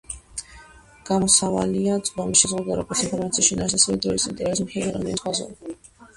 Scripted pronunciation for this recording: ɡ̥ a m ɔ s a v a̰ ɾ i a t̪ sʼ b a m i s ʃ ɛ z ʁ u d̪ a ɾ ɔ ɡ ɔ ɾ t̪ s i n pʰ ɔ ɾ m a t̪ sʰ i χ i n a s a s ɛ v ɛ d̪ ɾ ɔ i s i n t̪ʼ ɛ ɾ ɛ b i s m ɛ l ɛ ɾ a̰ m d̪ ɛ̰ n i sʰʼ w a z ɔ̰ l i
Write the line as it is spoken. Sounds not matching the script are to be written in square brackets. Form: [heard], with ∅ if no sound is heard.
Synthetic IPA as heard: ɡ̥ a m ɔ s a v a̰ [l] i a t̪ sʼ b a m i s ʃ ɛ z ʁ u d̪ a ɾ ɔ ɡ ɔ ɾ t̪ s i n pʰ ɔ ɾ m a t̪ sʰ i [ʃ] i n a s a s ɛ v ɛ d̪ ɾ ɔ i s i n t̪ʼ ɛ ɾ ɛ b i s m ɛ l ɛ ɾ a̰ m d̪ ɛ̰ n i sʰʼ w a z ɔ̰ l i